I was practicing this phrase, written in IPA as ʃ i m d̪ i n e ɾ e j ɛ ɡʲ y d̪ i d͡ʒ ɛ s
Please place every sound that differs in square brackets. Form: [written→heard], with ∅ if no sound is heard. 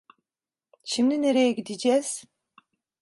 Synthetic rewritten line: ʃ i m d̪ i n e ɾ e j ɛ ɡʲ [y→i] d̪ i d͡ʒ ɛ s